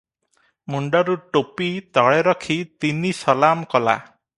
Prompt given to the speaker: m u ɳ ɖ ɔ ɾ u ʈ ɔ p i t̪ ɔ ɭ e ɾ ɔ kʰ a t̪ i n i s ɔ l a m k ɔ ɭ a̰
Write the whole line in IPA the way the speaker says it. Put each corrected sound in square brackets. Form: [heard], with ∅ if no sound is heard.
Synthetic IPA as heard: m u ɳ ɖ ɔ ɾ u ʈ [o] p i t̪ ɔ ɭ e ɾ ɔ kʰ [i] t̪ i n i s ɔ l a m k ɔ [l] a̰

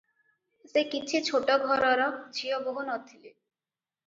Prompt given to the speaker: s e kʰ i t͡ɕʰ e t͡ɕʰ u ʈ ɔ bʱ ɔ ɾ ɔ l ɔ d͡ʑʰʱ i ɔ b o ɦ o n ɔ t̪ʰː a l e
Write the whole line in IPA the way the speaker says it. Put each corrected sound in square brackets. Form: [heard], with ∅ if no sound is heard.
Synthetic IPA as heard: s e [k] i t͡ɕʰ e t͡ɕʰ [o] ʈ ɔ [ɡʱ] ɔ ɾ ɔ [ɾ] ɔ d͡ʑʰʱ i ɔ b o ɦ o n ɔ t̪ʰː [i] l e

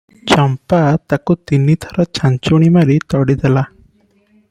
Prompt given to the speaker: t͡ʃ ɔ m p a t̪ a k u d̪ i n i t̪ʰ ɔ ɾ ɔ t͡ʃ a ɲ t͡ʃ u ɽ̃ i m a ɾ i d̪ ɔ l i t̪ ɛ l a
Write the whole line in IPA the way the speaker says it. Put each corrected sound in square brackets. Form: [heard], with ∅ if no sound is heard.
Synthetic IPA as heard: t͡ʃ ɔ m p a t̪ a k u [t̪] i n i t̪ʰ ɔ ɾ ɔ t͡ʃ a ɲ t͡ʃ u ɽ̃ i m a ɾ i [t̪] ɔ [ɽ] i [d̪] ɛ l a

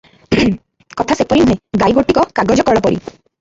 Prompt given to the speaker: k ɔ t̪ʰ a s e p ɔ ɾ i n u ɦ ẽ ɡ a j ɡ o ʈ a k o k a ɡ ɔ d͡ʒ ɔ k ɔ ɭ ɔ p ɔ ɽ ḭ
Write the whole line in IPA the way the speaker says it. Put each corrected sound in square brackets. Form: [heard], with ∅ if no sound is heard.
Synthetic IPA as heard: k ɔ t̪ʰ a s e p ɔ ɾ i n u ɦ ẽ ɡ a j ɡ o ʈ [i] k [ɔ] k a ɡ ɔ d͡ʒ ɔ k ɔ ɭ ɔ p ɔ [ɾ] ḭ

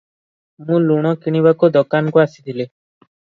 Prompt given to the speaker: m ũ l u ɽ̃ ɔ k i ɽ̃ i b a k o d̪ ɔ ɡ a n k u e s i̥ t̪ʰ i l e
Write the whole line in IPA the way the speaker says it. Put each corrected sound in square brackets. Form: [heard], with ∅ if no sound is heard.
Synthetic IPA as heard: m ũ l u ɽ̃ ɔ k i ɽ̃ i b a k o d̪ ɔ [k] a n k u [a] s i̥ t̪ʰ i l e

